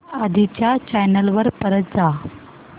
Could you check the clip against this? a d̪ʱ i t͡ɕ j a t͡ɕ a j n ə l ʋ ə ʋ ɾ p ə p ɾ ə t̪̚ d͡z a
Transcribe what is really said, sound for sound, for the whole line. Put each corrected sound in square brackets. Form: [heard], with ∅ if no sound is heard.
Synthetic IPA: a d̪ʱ i t͡ɕ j a t͡ɕ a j n ə l ʋ ə [∅] ɾ p ə [∅] ɾ ə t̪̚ d͡z a